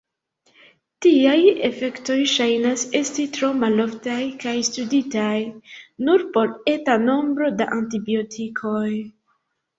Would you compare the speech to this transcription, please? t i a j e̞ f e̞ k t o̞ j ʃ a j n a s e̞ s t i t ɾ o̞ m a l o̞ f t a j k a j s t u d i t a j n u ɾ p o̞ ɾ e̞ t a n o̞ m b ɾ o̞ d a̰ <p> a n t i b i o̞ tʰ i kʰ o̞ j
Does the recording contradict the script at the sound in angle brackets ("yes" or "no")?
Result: yes